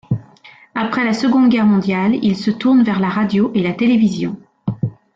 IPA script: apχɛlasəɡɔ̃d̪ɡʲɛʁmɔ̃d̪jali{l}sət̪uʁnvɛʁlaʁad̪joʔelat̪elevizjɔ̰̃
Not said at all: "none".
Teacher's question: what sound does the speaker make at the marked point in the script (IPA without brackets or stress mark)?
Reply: l